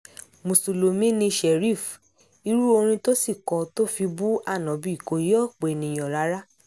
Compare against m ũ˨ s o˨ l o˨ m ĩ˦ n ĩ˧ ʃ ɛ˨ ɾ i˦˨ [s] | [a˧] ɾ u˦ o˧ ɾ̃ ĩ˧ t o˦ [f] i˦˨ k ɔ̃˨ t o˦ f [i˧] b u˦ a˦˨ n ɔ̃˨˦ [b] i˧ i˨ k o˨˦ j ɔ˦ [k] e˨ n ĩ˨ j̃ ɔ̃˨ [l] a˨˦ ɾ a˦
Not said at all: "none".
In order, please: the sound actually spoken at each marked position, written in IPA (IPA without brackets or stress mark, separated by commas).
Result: f, i˧, s, i˧, b, k͡p, ɾ